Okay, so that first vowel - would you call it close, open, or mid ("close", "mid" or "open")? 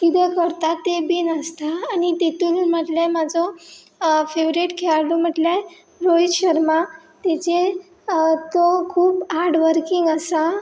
close